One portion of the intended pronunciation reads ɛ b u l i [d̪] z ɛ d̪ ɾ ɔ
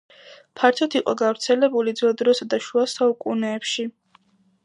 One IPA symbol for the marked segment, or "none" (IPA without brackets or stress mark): d̪